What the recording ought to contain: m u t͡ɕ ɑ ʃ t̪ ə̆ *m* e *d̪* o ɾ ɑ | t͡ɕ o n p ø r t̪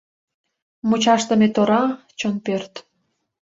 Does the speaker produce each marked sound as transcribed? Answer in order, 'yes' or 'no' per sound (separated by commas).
yes, no